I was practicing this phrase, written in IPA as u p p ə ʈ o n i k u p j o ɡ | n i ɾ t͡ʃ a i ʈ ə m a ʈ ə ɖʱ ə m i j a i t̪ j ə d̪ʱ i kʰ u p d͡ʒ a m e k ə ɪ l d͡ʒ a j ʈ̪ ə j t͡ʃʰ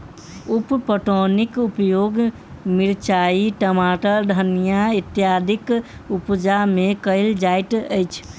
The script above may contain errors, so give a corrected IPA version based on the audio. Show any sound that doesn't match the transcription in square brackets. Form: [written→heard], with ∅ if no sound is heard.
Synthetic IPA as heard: u p p ə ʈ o n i k u p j o ɡ | [n→m] i ɾ t͡ʃ a i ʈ ə m a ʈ ə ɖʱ ə [m→n] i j a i t̪ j [ə→a] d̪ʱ i [kʰ→k] u p d͡ʒ a m e k ə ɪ l d͡ʒ a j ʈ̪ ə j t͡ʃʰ